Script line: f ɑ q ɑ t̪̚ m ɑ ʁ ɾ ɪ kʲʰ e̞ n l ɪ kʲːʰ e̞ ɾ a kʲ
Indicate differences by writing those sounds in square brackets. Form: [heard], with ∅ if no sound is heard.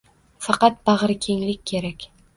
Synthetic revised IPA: f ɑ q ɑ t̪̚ [b] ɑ ʁ ɾ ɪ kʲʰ e̞ [ŋ] l ɪ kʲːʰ e̞ ɾ a kʲ